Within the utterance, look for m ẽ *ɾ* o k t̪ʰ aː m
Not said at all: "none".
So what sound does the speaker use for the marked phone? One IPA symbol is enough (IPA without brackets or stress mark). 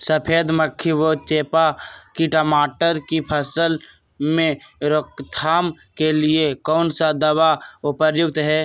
ɾ